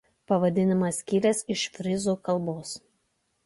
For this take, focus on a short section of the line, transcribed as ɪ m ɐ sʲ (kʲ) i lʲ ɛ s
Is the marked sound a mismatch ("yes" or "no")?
no